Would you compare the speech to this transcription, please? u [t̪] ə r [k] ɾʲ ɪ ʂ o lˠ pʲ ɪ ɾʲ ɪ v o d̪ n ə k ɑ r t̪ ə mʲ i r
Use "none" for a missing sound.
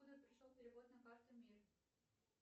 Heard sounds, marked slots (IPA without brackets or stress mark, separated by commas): d̪, p